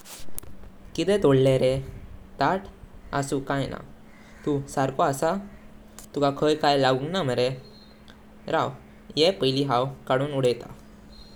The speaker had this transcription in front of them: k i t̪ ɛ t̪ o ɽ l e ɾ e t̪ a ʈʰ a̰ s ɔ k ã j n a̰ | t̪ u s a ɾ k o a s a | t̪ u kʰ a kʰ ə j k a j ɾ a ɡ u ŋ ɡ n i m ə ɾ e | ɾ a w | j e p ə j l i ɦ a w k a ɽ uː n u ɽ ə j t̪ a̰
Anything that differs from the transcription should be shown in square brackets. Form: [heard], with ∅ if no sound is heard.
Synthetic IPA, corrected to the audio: k i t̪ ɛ t̪ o ɽ l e ɾ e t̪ a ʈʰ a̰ s [u] k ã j n a̰ | t̪ u s a ɾ k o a s a | t̪ u [k] a kʰ ə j k a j [l] a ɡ u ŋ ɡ n [a] m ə ɾ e | ɾ a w | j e p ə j l i ɦ a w k a ɽ uː n u ɽ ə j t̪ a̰